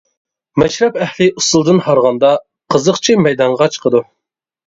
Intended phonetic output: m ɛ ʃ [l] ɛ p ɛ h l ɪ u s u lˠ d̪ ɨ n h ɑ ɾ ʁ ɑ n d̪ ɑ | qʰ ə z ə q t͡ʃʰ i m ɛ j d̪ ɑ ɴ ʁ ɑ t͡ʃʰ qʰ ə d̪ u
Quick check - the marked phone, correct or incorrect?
incorrect